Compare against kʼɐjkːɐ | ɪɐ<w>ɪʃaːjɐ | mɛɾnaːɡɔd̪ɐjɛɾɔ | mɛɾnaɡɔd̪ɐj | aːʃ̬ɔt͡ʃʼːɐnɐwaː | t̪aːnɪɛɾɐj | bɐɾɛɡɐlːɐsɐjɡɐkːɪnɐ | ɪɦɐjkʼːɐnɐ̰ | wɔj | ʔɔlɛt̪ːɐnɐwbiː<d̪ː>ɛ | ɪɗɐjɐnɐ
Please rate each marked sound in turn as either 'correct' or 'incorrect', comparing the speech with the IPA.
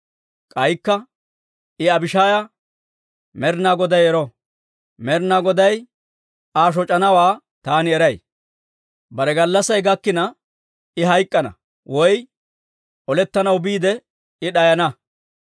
incorrect, incorrect

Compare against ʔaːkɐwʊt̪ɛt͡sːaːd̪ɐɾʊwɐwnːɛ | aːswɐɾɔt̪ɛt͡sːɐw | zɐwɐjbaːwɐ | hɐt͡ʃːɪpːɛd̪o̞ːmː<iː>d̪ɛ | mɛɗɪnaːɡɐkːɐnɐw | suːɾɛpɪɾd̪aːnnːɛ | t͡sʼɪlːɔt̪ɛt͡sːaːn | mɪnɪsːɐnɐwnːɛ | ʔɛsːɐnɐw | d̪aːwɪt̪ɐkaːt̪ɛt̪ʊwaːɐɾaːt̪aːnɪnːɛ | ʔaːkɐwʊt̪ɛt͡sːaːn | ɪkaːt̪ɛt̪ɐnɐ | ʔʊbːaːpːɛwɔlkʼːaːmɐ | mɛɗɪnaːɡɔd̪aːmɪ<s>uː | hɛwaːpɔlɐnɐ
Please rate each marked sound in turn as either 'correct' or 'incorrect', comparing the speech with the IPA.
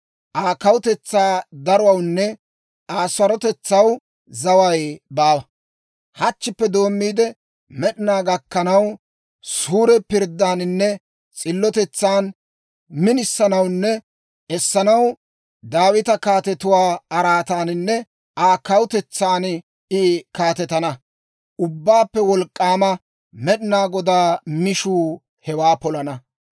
correct, incorrect

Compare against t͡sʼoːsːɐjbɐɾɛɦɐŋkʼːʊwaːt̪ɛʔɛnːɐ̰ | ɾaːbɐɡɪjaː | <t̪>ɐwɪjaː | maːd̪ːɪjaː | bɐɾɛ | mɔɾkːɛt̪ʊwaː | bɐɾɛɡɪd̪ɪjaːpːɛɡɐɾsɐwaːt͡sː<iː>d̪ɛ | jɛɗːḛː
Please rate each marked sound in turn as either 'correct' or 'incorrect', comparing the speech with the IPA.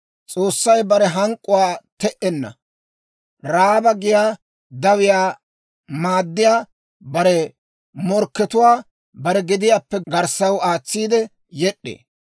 incorrect, correct

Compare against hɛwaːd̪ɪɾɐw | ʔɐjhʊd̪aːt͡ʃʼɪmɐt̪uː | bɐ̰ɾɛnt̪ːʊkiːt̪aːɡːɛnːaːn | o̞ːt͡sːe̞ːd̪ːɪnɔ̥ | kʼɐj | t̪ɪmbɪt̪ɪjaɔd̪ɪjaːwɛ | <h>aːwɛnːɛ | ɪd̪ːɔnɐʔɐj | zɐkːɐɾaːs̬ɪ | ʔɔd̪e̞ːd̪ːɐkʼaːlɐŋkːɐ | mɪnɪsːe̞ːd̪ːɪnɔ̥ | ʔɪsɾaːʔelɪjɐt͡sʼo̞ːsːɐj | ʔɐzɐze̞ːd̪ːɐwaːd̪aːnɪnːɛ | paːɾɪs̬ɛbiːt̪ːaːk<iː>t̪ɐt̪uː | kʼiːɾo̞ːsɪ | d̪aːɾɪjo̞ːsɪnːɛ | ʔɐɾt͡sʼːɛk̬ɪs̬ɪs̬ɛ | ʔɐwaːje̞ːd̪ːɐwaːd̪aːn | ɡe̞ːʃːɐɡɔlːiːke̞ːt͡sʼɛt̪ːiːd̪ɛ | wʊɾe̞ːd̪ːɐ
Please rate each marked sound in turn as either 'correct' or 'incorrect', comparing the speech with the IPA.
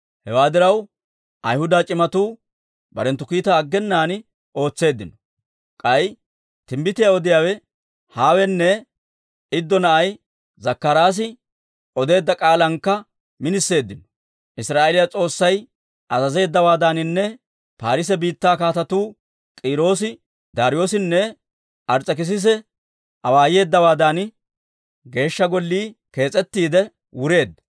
correct, incorrect

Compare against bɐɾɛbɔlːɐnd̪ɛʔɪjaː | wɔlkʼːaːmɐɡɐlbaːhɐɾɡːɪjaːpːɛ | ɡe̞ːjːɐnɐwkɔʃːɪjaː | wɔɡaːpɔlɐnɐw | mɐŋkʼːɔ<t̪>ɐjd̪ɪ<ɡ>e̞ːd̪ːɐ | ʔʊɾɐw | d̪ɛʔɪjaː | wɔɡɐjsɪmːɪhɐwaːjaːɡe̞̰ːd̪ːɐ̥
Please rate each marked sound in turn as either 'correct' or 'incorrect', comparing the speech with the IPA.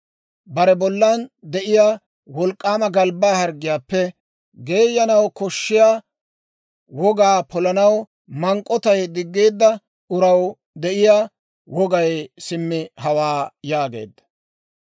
correct, incorrect

